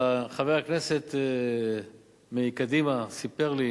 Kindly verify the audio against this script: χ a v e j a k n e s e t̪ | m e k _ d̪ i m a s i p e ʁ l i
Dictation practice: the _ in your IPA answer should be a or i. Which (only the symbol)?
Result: a